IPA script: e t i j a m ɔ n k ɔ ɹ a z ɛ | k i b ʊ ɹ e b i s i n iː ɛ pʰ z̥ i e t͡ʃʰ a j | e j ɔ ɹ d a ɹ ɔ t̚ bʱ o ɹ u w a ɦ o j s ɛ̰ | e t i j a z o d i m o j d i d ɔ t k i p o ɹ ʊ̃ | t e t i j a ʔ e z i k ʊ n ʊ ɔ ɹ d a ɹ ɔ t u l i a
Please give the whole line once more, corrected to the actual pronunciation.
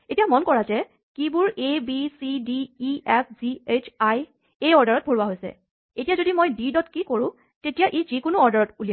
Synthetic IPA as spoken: e t i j a m ɔ n k ɔ ɹ a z ɛ | k i b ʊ ɹ e b i s i d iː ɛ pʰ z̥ i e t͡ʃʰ a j | e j ɔ ɹ d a ɹ ɔ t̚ bʱ o ɹ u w a ɦ o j s ɛ̰ | e t i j a z o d i m o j d i d ɔ t k i k o ɹ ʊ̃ | t e t i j a ʔ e z i k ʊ n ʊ ɔ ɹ d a ɹ ɔ t u l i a